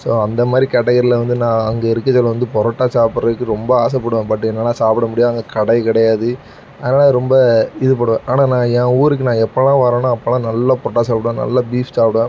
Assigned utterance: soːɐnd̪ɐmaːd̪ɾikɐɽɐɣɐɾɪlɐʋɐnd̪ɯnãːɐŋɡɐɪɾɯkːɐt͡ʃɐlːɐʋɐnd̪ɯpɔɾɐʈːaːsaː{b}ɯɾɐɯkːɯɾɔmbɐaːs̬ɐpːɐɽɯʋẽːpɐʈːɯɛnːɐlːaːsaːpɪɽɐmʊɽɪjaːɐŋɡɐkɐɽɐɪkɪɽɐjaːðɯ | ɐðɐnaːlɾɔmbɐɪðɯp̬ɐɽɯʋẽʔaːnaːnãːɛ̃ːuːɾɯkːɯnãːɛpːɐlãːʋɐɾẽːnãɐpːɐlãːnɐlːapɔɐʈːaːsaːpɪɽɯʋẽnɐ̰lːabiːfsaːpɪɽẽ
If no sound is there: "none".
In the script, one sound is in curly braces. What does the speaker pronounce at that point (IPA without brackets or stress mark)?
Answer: p